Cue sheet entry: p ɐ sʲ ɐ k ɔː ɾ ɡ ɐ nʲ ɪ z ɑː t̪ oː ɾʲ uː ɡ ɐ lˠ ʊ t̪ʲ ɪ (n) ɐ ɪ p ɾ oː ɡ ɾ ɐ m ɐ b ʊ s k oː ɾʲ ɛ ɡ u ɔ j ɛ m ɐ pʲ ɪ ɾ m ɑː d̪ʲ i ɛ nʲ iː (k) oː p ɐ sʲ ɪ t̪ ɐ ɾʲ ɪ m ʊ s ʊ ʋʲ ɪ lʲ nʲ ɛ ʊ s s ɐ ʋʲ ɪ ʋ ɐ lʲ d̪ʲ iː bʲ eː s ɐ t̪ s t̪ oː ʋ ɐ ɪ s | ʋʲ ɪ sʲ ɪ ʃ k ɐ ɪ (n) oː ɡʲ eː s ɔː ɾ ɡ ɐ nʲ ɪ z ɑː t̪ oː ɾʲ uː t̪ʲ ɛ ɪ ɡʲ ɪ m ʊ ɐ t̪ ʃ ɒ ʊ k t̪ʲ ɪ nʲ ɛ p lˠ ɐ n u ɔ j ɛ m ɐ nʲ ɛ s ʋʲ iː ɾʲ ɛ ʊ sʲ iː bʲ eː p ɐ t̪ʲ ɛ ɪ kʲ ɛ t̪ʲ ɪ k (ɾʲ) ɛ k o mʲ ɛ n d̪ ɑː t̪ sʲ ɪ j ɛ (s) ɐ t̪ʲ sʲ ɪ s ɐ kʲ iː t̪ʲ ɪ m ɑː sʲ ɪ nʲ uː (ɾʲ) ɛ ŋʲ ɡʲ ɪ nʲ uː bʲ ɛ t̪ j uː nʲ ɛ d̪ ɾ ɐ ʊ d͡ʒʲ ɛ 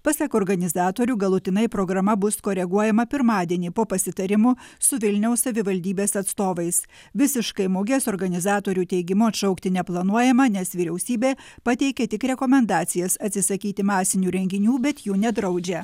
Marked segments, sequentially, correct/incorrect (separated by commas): correct, incorrect, incorrect, correct, correct, correct